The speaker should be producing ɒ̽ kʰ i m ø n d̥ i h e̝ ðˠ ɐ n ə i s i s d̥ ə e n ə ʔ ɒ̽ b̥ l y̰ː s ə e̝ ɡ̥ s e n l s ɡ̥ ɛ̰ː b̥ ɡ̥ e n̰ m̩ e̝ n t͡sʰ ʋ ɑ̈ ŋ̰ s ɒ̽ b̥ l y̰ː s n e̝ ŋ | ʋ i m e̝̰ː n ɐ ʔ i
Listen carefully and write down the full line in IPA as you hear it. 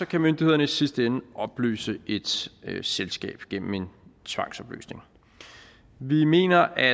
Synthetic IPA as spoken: ɒ̽ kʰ æ m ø n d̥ i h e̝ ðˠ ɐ n ə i s i s d̥ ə e n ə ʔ ɒ̽ b̥ l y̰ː s ə e̝ d̥ s e l s ɡ̥ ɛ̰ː b̥ ɡ̥ e n̰ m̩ e̝ n t͡sʰ ʋ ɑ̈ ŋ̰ s ɒ̽ b̥ l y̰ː s n e̝ ŋ | ʋ i m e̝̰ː n ɐ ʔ æ